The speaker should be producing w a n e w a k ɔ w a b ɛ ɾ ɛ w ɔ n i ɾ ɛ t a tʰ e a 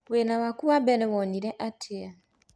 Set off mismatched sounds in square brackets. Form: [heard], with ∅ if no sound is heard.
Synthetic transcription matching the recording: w [e] n [a] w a k [u] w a b ɛ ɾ ɛ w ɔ n i ɾ ɛ [ʔ] a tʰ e a